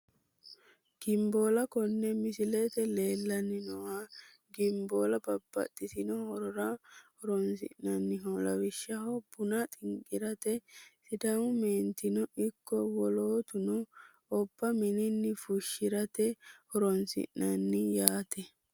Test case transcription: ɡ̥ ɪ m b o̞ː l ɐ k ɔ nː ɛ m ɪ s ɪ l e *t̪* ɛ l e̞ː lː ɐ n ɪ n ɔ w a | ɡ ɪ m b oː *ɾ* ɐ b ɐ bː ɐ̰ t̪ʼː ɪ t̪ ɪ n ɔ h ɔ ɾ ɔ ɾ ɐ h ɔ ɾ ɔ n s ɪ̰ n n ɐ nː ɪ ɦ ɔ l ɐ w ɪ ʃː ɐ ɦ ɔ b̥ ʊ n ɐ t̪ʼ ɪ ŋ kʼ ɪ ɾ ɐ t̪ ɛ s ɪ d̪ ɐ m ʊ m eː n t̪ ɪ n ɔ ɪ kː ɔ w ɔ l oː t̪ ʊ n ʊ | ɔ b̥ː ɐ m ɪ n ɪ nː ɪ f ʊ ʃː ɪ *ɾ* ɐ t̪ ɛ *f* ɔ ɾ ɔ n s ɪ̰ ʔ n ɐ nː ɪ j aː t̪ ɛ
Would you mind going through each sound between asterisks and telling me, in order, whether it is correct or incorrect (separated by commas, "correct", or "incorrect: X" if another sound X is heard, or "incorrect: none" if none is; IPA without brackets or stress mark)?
correct, incorrect: l, correct, incorrect: h